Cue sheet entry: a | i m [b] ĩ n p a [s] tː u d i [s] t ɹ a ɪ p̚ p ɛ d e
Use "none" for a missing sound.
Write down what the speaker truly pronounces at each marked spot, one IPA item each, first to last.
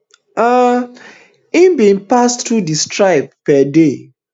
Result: b, s, s

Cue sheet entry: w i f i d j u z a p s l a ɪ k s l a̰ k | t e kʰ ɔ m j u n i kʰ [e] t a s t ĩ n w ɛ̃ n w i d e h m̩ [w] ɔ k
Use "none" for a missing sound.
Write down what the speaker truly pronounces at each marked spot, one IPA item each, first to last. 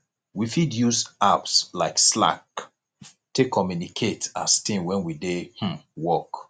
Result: e, w

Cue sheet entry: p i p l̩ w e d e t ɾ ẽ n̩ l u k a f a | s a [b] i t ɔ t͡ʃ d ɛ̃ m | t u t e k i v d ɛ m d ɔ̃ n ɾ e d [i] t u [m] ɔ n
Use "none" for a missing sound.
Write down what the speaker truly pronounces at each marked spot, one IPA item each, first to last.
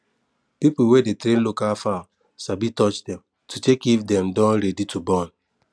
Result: b, i, b

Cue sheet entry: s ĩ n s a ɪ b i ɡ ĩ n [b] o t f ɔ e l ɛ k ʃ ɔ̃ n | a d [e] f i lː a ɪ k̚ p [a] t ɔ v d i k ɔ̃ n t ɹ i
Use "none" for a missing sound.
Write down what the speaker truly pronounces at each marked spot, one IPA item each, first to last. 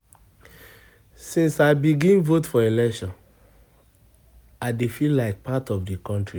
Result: v, e, a

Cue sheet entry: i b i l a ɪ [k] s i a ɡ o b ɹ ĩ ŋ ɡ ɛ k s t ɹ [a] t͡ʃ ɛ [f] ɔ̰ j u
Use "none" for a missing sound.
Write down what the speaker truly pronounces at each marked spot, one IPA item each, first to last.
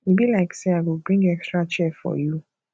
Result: k, a, f

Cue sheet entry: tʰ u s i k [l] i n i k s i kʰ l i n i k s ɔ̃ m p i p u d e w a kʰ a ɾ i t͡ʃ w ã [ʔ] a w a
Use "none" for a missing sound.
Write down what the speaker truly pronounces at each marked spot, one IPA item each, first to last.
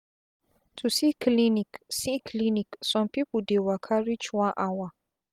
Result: l, ʔ

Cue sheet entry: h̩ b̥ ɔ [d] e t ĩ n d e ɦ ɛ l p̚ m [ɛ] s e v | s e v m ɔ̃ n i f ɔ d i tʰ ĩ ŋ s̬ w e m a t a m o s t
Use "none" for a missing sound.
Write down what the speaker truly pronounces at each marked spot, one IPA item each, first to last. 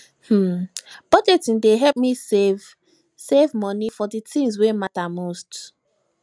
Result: d͡ʒ, i

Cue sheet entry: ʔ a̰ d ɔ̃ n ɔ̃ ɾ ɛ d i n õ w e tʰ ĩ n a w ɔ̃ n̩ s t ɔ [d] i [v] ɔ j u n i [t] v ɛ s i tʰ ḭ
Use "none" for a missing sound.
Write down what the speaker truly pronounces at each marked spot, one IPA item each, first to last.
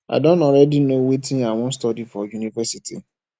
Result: d, f, none

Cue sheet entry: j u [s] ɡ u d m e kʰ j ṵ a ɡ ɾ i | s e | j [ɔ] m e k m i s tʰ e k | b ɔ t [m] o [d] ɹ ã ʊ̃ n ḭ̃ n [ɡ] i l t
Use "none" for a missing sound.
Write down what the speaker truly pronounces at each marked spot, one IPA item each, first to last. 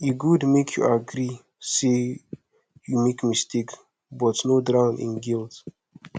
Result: none, u, n, d, ɡ

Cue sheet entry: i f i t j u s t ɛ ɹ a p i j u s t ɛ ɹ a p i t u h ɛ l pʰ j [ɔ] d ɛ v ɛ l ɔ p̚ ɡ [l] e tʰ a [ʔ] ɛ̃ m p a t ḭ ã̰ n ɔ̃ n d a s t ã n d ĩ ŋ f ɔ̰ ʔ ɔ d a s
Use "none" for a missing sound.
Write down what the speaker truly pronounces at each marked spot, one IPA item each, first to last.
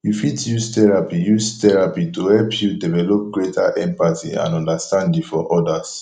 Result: u, ɹ, ʔ

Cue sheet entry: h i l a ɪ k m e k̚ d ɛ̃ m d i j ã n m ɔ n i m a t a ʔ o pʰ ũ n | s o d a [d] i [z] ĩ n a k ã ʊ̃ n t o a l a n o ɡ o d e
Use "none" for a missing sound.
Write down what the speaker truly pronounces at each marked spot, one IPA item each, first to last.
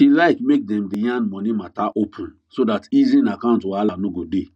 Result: t, z

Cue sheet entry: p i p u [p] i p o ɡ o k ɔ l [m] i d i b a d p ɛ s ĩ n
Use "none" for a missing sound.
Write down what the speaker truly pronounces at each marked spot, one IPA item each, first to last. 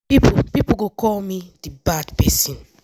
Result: p, m

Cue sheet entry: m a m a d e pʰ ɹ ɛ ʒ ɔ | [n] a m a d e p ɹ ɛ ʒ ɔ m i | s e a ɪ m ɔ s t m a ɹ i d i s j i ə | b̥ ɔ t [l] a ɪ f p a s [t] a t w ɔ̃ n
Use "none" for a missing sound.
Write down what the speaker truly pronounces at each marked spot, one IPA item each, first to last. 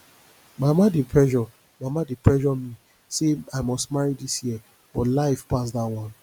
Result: m, l, d

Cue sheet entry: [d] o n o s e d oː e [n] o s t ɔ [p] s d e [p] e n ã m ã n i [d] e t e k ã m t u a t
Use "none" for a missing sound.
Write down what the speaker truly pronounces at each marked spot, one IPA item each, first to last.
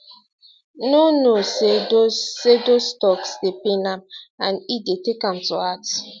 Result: n, d, k, p, d

